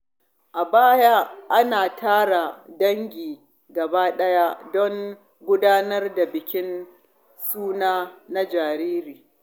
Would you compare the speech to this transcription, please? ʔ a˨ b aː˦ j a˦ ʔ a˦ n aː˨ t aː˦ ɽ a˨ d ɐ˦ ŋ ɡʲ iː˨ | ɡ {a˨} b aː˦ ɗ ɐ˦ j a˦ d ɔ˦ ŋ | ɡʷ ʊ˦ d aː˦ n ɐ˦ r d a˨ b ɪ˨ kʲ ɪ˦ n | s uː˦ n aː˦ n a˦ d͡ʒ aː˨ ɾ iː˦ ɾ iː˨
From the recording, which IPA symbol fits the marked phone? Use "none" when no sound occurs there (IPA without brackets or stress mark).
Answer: ɐ˨